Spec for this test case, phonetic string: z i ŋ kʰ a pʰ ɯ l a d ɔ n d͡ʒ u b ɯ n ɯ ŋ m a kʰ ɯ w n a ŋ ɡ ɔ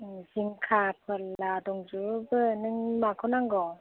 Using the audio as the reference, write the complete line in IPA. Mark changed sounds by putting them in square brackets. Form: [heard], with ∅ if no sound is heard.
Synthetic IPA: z i ŋ kʰ a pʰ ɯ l a d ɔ [ŋ] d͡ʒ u b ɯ n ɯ ŋ m a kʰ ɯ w n a ŋ ɡ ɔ